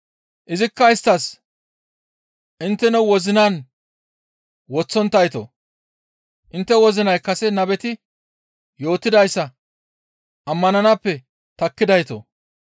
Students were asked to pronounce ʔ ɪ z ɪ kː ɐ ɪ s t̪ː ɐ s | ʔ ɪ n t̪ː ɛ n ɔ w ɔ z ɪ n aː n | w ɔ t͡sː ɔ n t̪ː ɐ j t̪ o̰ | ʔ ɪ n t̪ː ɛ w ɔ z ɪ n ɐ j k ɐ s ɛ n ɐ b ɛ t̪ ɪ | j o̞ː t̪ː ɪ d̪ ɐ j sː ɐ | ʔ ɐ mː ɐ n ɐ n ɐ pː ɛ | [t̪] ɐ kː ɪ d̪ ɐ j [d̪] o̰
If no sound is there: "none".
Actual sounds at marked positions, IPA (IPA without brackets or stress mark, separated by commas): t̪, t̪